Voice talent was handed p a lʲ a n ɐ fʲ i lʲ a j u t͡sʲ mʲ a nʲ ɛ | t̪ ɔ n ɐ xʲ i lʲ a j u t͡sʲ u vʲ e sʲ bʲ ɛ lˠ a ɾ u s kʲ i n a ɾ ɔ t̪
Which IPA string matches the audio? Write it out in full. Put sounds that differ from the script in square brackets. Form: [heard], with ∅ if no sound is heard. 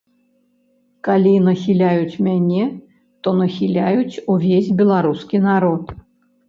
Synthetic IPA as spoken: [k] a lʲ [i] n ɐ [xʲ] i lʲ a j u t͡sʲ mʲ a nʲ ɛ | t̪ ɔ n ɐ xʲ i lʲ a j u t͡sʲ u vʲ e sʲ bʲ ɛ lˠ a ɾ u s kʲ i n a ɾ ɔ t̪